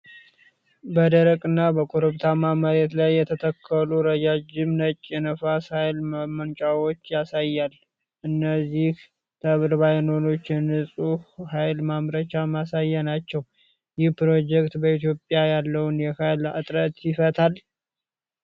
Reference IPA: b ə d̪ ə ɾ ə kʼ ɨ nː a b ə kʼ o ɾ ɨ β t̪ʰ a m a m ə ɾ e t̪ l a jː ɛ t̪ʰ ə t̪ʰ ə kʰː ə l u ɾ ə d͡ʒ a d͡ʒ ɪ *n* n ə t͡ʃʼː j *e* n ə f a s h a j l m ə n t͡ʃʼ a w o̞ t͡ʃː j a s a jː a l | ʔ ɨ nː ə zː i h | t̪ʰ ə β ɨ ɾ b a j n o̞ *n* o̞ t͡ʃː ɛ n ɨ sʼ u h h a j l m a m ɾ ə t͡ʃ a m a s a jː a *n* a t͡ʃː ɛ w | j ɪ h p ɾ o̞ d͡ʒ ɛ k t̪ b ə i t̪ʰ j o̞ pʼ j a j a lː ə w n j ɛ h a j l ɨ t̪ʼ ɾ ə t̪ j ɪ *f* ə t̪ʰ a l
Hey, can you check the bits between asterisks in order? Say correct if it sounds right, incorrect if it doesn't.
incorrect, incorrect, correct, correct, correct

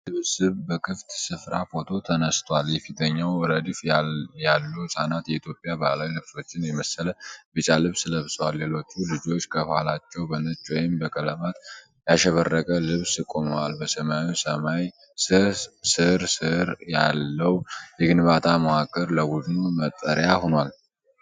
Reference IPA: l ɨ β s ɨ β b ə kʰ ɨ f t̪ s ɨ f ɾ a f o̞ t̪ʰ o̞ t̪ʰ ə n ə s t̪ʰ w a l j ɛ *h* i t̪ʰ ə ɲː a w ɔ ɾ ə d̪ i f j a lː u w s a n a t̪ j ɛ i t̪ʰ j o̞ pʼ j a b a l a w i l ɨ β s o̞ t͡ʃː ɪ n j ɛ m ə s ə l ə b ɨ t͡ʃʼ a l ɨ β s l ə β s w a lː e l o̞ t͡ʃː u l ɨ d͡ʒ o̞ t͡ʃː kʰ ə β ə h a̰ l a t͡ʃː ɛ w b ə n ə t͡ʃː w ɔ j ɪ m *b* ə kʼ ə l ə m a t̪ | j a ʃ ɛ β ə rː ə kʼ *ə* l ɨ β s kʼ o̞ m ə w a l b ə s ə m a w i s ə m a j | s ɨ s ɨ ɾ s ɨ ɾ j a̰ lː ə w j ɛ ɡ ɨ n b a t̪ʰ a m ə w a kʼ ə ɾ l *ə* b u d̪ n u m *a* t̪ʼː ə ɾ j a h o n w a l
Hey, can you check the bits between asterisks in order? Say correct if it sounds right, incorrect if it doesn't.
incorrect, correct, correct, correct, incorrect

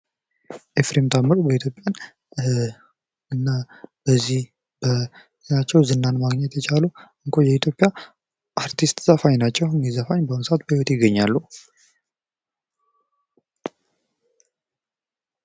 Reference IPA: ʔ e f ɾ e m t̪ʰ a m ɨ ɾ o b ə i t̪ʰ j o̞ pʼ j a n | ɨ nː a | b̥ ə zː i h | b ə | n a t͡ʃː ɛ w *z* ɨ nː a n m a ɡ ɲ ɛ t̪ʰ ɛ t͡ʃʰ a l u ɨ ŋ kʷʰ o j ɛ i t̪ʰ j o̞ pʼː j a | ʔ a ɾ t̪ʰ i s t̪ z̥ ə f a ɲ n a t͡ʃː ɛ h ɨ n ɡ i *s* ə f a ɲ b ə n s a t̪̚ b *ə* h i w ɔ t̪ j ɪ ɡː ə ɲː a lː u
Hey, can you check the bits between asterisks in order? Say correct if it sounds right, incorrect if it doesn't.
correct, incorrect, correct

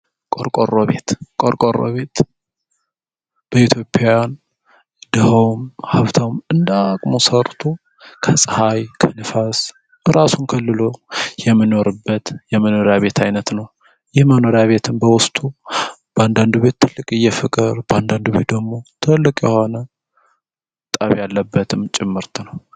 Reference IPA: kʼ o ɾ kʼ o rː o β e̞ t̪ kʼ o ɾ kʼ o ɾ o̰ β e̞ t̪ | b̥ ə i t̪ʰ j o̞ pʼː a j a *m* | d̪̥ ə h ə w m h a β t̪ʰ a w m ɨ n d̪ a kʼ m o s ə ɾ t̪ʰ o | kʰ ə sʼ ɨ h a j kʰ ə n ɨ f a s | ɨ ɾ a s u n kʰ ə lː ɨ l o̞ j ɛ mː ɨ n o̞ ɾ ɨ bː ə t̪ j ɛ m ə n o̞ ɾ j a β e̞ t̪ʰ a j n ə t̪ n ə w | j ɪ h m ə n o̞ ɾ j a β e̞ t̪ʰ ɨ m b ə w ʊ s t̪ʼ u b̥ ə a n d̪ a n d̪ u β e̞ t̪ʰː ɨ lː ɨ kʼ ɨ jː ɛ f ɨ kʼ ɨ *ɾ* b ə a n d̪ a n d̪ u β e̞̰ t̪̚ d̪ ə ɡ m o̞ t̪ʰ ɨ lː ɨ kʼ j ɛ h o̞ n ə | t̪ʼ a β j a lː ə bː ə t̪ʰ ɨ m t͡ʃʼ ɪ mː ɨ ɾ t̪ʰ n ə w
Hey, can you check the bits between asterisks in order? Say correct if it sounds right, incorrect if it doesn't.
incorrect, correct

